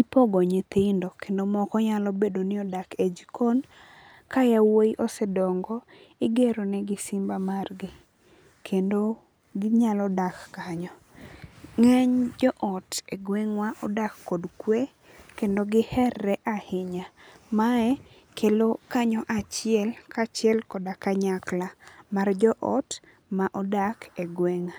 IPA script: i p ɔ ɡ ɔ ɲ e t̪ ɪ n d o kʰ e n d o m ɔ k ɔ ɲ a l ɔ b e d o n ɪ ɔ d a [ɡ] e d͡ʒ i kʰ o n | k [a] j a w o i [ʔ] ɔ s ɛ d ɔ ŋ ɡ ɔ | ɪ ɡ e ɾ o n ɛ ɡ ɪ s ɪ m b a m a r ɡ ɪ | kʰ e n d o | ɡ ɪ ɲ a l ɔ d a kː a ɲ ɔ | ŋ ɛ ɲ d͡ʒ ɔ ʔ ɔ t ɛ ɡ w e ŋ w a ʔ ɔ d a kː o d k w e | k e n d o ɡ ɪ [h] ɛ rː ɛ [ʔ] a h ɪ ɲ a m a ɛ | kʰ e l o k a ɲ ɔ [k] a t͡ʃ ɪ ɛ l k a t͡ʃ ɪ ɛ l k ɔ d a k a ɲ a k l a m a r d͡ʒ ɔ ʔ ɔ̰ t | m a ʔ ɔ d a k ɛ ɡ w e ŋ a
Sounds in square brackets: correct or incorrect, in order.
incorrect: k, correct, correct, correct, correct, incorrect: ʔ

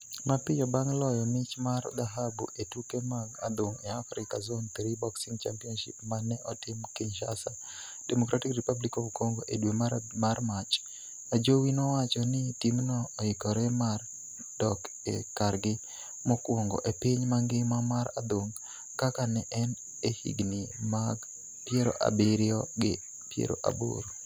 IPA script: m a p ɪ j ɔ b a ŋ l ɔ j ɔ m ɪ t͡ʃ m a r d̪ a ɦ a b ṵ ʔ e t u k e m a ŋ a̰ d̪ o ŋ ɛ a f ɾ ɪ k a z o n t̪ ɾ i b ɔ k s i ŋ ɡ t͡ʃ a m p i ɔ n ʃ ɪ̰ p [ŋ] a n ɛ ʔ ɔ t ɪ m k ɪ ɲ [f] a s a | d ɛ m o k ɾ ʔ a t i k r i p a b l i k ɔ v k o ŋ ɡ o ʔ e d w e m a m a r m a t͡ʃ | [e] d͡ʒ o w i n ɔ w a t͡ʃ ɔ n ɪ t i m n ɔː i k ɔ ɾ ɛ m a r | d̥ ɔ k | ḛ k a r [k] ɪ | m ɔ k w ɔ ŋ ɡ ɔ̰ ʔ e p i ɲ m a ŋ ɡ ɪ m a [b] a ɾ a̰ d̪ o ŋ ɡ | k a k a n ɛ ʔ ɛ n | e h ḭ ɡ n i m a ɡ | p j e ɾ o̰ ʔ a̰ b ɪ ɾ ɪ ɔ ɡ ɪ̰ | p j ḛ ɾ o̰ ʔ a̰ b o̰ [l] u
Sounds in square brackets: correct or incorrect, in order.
incorrect: m, incorrect: ʃ, incorrect: a, incorrect: ɡ, incorrect: m, incorrect: ɾ

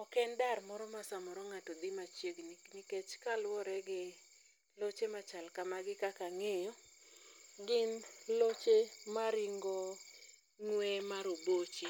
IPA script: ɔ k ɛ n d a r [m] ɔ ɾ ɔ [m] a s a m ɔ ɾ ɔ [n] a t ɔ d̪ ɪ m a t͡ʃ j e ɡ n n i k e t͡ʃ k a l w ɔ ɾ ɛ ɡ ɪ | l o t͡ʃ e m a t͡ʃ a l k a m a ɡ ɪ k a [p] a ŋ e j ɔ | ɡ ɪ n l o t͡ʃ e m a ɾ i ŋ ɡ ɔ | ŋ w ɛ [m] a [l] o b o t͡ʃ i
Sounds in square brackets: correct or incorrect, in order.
correct, correct, incorrect: ŋ, incorrect: k, correct, incorrect: ɾ

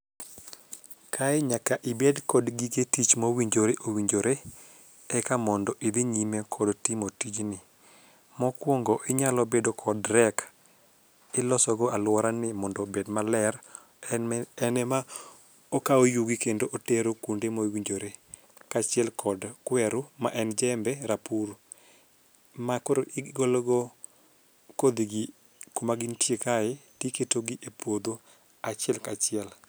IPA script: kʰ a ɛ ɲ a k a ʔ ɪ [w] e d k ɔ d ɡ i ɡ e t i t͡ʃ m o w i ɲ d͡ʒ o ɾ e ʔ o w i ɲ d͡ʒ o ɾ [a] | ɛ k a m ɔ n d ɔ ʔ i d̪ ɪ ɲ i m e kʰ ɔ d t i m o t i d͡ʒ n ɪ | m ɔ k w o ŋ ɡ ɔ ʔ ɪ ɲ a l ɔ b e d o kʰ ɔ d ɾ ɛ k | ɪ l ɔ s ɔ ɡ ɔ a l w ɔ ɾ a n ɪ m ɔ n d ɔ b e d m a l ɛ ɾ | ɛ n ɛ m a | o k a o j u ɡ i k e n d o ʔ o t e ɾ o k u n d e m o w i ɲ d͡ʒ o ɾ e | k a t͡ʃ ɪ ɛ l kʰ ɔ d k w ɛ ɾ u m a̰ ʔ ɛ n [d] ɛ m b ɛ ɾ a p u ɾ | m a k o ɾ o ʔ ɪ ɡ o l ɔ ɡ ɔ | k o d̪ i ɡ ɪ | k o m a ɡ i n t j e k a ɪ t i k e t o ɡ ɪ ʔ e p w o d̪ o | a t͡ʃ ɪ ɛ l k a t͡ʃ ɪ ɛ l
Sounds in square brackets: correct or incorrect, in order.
incorrect: b, incorrect: e, incorrect: d͡ʒ

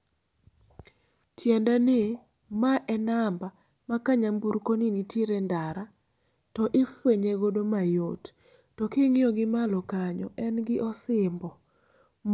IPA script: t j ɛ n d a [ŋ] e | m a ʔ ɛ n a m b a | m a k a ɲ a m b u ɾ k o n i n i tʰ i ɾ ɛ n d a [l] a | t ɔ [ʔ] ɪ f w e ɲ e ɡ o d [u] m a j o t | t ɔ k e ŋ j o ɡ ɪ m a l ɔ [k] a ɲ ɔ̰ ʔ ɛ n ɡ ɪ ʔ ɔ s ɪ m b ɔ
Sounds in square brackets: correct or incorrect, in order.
incorrect: n, incorrect: ɾ, correct, incorrect: o, correct

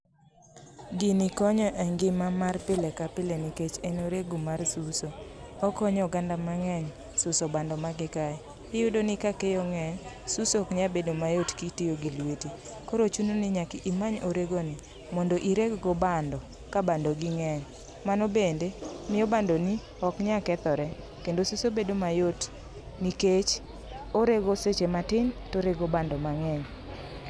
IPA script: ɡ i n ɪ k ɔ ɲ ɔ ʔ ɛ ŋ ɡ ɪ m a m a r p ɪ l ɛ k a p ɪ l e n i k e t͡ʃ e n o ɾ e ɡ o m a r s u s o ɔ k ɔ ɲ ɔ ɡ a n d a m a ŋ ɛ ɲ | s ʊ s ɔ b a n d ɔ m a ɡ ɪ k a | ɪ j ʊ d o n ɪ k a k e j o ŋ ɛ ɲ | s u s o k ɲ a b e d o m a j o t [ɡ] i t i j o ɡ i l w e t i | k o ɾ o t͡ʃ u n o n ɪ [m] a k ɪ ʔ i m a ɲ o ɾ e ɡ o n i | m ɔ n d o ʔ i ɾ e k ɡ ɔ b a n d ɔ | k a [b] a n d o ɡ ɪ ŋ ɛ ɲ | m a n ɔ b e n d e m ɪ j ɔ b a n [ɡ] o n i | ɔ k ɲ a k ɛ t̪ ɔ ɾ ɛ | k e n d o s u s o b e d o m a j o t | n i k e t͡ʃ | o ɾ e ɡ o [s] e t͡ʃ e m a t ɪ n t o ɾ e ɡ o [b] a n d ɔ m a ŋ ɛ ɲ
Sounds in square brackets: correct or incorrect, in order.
incorrect: k, incorrect: ɲ, correct, incorrect: d, correct, correct

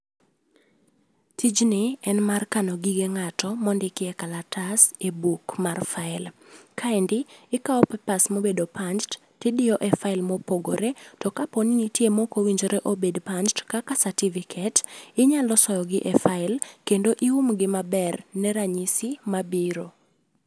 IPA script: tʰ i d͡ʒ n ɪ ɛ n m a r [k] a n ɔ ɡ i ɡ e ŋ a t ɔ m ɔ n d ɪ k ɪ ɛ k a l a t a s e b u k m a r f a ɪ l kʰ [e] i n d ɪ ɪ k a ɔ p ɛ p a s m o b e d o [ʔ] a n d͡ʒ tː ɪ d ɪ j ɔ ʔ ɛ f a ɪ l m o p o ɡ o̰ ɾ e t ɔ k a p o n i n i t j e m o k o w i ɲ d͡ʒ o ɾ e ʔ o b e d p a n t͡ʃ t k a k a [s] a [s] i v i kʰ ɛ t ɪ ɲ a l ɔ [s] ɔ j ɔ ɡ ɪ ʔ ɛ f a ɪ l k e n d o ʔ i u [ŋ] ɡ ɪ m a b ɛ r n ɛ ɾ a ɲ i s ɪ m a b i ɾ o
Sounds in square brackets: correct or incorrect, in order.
correct, incorrect: a, incorrect: p, correct, incorrect: t, correct, incorrect: m

